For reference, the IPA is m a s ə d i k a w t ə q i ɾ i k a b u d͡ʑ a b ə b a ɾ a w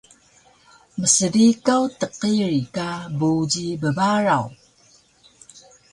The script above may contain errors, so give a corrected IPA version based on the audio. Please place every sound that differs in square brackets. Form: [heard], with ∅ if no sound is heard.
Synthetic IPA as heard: m [ə] s ə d i k a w t ə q i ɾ i k a b u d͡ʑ [i] b ə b a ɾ a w